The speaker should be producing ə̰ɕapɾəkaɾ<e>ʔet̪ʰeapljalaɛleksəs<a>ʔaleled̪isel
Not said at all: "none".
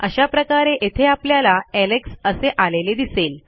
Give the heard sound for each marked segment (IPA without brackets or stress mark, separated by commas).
e, e